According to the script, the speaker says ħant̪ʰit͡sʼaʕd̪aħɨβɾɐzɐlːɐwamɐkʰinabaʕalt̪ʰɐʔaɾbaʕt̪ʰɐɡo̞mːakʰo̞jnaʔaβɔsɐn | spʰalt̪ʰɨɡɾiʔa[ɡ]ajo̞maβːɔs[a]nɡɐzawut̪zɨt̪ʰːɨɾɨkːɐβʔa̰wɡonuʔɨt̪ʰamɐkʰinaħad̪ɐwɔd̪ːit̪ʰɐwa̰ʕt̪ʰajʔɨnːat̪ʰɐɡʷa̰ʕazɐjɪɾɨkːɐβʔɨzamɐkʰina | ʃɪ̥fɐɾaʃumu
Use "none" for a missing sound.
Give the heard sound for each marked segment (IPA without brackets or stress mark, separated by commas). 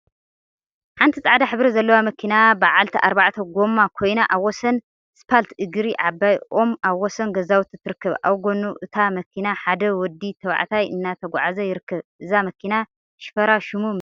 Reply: b, ɐ